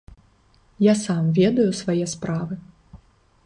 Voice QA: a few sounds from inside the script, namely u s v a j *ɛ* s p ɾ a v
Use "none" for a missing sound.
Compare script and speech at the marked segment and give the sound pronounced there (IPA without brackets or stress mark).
ɛ